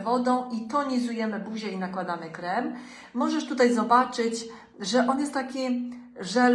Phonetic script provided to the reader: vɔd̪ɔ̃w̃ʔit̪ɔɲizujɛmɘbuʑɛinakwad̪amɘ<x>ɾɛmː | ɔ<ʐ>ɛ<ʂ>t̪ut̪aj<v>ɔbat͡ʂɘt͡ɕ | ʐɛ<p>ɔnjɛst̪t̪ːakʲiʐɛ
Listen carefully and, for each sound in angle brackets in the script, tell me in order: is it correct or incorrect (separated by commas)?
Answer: incorrect, correct, correct, incorrect, incorrect